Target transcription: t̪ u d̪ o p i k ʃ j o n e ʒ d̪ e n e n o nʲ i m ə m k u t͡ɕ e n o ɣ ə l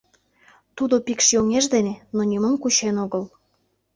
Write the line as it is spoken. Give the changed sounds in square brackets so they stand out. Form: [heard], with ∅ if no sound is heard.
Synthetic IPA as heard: t̪ u d̪ o p i k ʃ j o [ŋ] e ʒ d̪ e n e n o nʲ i m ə m k u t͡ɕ e n o ɣ ə l